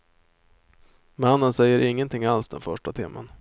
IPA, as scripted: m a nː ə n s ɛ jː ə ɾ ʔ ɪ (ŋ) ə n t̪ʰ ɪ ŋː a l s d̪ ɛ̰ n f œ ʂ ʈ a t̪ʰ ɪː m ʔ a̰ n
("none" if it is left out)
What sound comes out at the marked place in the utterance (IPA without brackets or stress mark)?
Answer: ŋː